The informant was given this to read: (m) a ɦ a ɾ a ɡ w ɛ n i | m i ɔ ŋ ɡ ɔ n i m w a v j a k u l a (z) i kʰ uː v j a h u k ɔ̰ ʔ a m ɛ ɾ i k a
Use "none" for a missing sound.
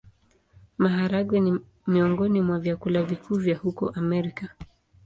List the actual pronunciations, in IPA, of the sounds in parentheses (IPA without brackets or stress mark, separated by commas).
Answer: m, v